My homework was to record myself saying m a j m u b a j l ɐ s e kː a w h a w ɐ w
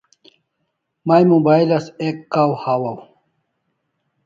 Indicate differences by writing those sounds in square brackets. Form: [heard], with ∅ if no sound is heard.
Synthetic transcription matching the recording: m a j m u b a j l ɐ s e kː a w h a w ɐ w